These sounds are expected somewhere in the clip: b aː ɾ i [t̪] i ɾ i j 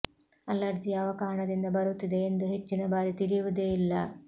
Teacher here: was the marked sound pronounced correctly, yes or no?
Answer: yes